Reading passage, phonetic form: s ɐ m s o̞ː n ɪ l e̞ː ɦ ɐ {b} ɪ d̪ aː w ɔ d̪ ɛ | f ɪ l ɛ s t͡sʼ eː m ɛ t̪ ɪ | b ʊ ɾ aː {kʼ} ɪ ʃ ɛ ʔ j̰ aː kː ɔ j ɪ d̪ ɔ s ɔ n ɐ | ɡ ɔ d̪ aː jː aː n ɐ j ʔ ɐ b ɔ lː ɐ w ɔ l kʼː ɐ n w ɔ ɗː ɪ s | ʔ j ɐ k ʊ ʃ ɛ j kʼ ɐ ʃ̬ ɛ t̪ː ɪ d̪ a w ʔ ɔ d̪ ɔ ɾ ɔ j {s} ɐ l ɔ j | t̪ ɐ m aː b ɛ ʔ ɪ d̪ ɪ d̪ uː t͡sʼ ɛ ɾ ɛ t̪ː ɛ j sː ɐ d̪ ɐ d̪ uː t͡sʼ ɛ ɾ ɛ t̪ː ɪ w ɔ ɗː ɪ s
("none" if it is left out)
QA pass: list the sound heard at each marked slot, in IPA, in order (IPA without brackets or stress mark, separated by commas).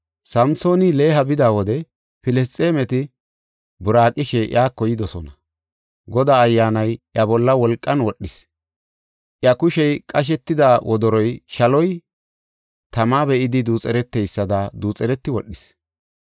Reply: b, kʼ, ʃ